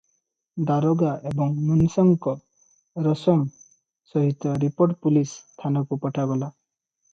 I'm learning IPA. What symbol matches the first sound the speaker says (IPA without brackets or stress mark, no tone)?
d̪